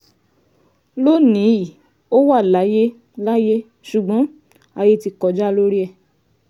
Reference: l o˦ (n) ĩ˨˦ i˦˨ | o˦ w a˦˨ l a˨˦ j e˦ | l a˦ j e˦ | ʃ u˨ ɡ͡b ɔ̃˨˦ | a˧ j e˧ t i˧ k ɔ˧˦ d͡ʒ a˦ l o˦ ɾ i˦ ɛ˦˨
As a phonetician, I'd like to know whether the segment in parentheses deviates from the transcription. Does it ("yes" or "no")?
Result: no